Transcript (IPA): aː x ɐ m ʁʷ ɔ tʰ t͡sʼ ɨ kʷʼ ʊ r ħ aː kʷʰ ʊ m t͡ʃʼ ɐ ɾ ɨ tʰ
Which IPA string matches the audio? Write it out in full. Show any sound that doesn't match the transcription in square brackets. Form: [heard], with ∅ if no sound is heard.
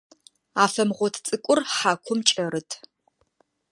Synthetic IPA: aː [f] ɐ m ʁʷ ɔ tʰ t͡sʼ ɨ kʷʼ ʊ r ħ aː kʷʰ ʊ m t͡ʃʼ ɐ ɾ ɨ tʰ